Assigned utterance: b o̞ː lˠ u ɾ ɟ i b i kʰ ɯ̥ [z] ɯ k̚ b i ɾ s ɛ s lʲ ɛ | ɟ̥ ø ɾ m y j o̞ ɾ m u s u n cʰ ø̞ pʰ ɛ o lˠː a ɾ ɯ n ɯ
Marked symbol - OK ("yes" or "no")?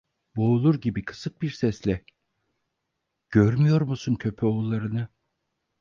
no